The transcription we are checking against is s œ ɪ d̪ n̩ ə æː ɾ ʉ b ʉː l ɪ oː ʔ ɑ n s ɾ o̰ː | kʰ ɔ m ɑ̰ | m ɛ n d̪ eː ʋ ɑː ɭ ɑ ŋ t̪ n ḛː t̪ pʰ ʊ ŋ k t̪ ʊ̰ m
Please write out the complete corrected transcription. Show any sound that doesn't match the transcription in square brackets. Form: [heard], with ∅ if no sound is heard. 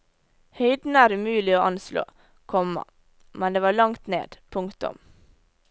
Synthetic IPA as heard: [h] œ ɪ d̪ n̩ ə æː ɾ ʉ [m] ʉː l ɪ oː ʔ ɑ n s [l] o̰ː | kʰ ɔ m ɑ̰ | m ɛ n d̪ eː ʋ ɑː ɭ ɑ ŋ t̪ n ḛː [d̪] pʰ ʊ ŋ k t̪ ʊ̰ m